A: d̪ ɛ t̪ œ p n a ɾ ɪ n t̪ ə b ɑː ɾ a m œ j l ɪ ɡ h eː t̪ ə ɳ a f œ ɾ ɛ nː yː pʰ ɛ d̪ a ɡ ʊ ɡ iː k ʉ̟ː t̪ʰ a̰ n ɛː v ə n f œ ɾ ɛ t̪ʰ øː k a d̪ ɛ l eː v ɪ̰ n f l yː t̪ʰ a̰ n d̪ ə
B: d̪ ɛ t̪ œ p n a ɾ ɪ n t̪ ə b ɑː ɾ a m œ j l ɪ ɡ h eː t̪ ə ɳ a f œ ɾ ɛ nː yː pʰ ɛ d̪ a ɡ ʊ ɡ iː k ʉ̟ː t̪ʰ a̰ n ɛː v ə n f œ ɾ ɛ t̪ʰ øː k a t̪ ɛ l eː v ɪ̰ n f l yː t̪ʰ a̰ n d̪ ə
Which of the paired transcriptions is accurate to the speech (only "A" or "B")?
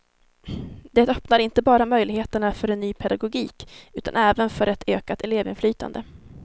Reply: B